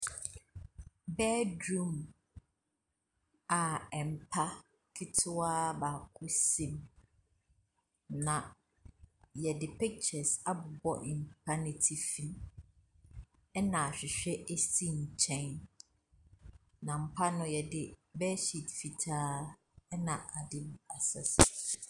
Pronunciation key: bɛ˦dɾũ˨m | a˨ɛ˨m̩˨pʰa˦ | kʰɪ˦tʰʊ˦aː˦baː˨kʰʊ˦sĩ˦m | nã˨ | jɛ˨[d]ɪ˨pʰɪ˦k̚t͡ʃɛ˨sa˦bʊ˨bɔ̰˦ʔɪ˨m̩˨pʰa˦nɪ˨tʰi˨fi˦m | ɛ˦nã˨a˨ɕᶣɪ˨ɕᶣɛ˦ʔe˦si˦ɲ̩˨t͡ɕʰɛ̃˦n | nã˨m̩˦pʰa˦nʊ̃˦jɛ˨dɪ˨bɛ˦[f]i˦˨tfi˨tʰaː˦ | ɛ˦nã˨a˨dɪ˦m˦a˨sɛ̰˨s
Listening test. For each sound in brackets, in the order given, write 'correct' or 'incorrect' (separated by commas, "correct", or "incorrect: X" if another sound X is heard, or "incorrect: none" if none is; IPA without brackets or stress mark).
correct, incorrect: ɕ